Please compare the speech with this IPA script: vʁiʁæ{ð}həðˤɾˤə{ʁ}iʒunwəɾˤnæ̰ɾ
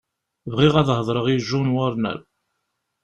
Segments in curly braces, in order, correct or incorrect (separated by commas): correct, correct